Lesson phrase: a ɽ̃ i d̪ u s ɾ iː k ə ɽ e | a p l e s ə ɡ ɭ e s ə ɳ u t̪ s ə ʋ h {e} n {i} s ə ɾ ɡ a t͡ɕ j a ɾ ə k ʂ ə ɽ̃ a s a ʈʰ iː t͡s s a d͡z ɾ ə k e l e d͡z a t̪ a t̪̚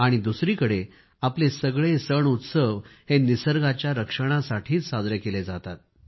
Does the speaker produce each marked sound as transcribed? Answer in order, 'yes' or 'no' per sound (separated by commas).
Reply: yes, yes